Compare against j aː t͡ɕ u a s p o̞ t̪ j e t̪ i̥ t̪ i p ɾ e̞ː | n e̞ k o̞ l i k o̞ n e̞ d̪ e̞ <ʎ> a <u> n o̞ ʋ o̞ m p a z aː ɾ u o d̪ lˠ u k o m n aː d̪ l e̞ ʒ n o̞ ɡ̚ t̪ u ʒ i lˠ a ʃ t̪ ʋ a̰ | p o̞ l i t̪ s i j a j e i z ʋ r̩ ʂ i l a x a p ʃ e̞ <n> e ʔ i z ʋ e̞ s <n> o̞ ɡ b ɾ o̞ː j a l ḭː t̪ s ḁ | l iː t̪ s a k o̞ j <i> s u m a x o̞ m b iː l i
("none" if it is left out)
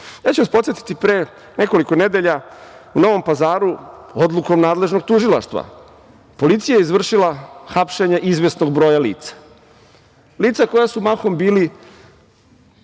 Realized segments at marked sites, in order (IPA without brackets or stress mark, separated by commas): ʎ, u, ɲ, n, a